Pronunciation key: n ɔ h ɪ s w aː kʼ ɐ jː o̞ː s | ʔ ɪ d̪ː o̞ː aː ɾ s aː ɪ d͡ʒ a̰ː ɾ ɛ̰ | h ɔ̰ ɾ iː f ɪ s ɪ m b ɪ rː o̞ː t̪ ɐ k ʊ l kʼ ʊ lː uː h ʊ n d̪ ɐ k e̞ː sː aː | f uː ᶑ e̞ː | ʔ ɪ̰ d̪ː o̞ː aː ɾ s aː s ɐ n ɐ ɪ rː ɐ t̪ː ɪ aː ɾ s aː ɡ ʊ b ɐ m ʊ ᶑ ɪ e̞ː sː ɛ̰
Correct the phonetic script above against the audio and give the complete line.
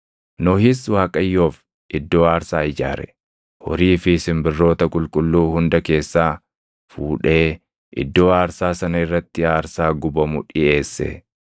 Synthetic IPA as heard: n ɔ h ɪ s w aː kʼ ɐ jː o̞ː f | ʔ ɪ d̪ː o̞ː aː ɾ s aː ɪ d͡ʒ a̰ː ɾ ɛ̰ | h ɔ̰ ɾ iː f ɪ s ɪ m b ɪ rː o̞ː t̪ ɐ kʼ ʊ l kʼ ʊ lː uː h ʊ n d̪ ɐ k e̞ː sː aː | f uː ᶑ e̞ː | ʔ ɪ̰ d̪ː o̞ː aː ɾ s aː s ɐ n ɐ ɪ rː ɐ t̪ː ɪ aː ɾ s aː ɡ ʊ b ɐ m ʊ ᶑ ɪ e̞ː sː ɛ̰